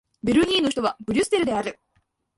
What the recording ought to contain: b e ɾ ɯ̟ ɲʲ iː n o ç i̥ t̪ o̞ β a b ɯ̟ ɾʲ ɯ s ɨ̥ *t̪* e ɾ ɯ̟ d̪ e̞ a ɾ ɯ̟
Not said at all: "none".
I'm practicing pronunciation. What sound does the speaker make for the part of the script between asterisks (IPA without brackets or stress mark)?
t̪